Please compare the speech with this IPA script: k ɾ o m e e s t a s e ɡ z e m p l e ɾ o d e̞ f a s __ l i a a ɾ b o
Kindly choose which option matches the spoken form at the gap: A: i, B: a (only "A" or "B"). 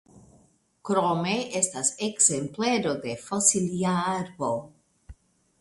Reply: A